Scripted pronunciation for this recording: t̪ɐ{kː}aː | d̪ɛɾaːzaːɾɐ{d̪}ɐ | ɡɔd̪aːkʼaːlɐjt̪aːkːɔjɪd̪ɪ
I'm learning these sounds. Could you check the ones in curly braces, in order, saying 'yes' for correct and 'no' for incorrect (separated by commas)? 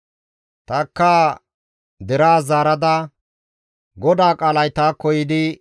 yes, yes